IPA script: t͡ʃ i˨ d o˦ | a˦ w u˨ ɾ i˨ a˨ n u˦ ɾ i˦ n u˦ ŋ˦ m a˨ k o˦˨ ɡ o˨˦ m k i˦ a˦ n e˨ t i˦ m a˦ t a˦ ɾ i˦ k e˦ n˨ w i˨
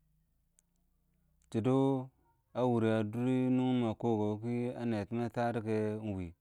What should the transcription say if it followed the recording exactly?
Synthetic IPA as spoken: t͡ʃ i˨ d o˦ | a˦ w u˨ ɾ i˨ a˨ d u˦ ɾ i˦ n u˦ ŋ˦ m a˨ k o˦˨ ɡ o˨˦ k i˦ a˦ n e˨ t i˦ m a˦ t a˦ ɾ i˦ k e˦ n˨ w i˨